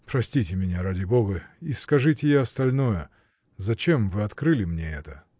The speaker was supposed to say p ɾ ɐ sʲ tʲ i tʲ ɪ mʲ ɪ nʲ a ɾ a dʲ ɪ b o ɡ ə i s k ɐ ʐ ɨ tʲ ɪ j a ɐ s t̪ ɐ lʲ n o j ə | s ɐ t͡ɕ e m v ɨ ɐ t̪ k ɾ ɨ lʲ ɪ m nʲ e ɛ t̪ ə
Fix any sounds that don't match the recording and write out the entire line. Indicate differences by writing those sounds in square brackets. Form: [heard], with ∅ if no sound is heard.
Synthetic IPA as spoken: p ɾ ɐ sʲ tʲ i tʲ ɪ mʲ ɪ nʲ a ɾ a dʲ ɪ b o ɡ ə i s k ɐ ʐ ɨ tʲ ɪ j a ɐ s t̪ ɐ lʲ n o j ə | [z] ɐ t͡ɕ e m v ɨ ɐ t̪ k ɾ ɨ lʲ ɪ m nʲ e ɛ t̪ ə